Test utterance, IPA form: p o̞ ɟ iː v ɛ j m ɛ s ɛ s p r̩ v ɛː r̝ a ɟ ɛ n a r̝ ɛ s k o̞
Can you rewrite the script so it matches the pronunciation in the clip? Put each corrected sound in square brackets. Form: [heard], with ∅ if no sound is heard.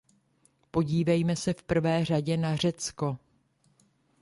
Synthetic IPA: p o̞ ɟ iː v ɛ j m ɛ s ɛ [f] p r̩ v ɛː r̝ a ɟ ɛ n a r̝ ɛ [t͡s] k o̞